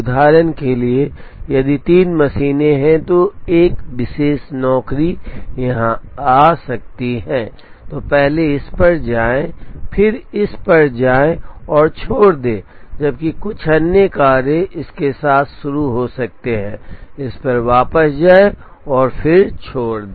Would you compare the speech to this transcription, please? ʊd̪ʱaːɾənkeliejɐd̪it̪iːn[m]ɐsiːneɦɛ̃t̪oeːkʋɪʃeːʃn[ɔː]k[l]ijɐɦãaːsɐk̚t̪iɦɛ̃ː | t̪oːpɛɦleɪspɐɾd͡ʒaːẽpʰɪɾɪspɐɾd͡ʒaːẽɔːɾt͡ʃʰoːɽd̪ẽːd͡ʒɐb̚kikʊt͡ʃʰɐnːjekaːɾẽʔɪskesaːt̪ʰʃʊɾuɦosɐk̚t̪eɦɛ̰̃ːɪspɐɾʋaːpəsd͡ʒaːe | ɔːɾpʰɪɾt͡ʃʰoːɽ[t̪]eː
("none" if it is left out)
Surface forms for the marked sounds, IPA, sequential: m, ɔː, ɾ, d̪

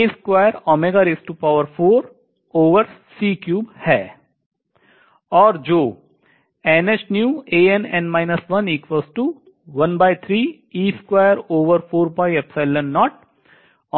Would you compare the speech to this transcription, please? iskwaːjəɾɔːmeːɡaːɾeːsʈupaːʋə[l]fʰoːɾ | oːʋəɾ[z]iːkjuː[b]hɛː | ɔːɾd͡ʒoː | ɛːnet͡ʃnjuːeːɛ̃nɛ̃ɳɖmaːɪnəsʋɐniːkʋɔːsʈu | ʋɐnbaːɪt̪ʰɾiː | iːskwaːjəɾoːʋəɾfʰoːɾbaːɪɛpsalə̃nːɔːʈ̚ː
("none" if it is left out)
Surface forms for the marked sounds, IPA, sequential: ɾ, s, b

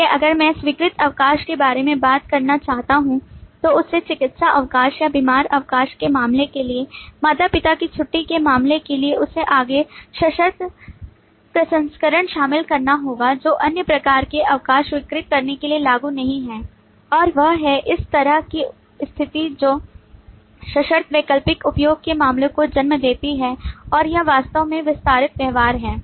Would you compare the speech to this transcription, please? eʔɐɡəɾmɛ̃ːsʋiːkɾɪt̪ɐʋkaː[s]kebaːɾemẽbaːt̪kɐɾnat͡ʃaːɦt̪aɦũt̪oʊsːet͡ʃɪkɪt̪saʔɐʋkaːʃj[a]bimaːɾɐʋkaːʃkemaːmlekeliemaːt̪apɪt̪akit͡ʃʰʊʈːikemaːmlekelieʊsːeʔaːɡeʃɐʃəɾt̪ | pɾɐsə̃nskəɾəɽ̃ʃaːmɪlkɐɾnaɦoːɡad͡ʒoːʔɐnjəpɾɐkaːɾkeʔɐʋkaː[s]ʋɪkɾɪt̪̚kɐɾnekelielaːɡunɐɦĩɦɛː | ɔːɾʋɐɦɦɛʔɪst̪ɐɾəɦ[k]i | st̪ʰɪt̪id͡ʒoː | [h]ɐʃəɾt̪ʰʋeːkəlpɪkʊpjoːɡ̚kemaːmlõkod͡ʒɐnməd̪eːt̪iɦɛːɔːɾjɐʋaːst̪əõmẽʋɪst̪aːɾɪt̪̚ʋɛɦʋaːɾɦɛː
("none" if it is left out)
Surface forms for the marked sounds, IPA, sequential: ʃ, a, ʃ, k, ʃ

